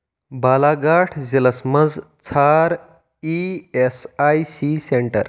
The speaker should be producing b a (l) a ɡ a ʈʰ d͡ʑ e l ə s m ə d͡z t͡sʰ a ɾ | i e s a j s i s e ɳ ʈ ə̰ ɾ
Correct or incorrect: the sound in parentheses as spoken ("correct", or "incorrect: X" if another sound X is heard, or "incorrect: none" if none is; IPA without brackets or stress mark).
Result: correct